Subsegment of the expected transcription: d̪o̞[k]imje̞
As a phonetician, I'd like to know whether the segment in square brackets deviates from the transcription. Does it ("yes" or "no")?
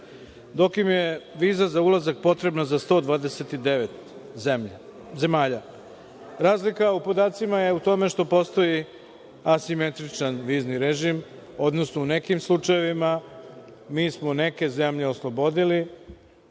no